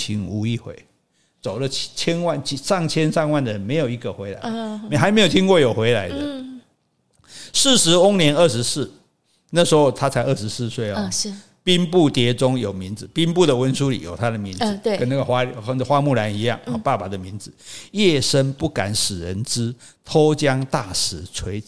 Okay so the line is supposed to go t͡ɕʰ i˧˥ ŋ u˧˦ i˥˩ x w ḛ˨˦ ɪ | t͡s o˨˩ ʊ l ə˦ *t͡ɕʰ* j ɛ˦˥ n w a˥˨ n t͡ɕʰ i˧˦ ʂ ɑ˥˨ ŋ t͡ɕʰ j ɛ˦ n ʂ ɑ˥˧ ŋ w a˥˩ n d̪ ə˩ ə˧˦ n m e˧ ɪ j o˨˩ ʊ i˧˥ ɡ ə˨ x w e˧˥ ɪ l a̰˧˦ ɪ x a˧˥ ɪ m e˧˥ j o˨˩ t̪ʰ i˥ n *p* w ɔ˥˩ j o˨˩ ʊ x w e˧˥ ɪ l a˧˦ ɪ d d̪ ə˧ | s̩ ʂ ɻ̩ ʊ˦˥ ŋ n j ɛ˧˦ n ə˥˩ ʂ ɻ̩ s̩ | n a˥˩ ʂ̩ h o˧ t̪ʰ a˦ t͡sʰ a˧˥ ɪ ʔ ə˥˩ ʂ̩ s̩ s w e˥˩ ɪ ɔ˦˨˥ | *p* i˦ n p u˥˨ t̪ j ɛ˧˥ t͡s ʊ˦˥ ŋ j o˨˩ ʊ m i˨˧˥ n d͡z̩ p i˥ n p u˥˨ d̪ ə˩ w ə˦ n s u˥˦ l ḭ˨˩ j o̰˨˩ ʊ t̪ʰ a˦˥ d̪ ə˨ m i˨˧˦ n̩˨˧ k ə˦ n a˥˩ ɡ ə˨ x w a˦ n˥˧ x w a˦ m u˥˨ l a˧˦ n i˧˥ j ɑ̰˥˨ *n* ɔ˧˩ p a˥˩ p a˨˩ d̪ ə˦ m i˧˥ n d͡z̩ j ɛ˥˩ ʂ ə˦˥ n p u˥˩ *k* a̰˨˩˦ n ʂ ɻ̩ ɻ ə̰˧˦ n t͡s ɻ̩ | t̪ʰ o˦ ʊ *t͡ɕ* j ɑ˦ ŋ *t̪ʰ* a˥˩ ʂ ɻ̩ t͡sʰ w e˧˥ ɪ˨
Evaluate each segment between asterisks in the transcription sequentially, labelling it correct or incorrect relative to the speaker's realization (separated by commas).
correct, incorrect, correct, incorrect, correct, correct, incorrect